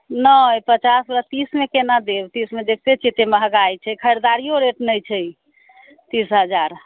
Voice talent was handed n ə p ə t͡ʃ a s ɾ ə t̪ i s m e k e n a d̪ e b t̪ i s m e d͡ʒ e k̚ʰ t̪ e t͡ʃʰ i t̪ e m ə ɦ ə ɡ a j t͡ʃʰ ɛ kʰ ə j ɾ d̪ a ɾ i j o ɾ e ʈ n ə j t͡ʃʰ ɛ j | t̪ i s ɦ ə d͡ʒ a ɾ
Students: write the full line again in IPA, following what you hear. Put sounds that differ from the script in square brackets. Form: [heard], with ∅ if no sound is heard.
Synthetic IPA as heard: n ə p ə t͡ʃ a s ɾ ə t̪ i s m e k e n a d̪ e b t̪ i s m e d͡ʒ e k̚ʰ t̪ e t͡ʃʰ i t̪ e m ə ɦ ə ɡ a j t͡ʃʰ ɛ kʰ ə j ɾ d̪ a ɾ i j o ɾ e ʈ n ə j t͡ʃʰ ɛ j | t̪ i s ɦ ə d͡ʒ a ɾ